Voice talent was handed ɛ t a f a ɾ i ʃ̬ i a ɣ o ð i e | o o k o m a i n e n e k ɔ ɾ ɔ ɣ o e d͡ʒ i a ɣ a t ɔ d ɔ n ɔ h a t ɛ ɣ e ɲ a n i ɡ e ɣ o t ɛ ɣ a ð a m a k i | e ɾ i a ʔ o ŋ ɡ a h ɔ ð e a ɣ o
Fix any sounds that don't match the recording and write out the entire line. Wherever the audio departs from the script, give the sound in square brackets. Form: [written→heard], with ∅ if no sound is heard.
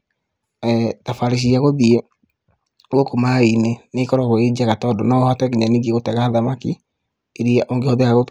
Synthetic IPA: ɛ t a f a ɾ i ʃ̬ i a ɣ o ð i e | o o k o m a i n e n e k ɔ ɾ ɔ ɣ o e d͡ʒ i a ɣ a t ɔ d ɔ n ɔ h a t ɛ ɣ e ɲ a n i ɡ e ɣ o t ɛ ɣ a ð a m a k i | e ɾ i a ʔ o ŋ ɡ [a→e] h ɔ ð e a ɣ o